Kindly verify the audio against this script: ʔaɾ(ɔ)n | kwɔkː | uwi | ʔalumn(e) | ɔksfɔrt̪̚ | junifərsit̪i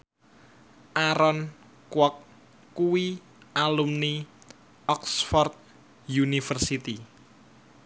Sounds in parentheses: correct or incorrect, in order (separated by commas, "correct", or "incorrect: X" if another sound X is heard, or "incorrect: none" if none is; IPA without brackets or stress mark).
correct, incorrect: i